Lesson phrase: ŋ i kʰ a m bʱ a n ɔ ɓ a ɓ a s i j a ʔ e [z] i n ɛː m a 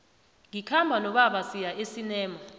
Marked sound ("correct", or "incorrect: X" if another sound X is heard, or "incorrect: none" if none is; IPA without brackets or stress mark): incorrect: s